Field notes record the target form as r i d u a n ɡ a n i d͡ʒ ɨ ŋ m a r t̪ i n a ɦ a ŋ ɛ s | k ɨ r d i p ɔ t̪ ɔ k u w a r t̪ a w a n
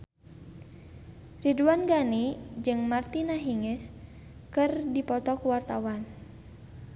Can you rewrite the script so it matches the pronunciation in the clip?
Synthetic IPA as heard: r i d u a n ɡ a n i d͡ʒ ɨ ŋ m a r t̪ i n a ɦ i ŋ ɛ s | k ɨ r d i p ɔ t̪ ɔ k u w a r t̪ a w a n